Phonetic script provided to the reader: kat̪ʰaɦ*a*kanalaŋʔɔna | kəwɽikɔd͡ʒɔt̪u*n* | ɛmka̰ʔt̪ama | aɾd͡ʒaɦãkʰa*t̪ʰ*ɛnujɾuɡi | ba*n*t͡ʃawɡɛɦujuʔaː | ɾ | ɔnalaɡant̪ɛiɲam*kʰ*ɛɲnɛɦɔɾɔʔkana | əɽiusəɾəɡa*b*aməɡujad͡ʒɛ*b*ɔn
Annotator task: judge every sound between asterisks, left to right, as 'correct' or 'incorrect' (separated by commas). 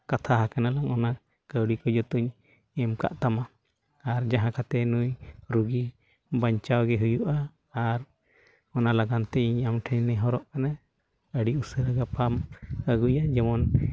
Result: correct, incorrect, incorrect, incorrect, incorrect, incorrect, incorrect